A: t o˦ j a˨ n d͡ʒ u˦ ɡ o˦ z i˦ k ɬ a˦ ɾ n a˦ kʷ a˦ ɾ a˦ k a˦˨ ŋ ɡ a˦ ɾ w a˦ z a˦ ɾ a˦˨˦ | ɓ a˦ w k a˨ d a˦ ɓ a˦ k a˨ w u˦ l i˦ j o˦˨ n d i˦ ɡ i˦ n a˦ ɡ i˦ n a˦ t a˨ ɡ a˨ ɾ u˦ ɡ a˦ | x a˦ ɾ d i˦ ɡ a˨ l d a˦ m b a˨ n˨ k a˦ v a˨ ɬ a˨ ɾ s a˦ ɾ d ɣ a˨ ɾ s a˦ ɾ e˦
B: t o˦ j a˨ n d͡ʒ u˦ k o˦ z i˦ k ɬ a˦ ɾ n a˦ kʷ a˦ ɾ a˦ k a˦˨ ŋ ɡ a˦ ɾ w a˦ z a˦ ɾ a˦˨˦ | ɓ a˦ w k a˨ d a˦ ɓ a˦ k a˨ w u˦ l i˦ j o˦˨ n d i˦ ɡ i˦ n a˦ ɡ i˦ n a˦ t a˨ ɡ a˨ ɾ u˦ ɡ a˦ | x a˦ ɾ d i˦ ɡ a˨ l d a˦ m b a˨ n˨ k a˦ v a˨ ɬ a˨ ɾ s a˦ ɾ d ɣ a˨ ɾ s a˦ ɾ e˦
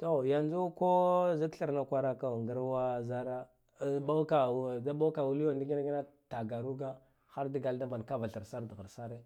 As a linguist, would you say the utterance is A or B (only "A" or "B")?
B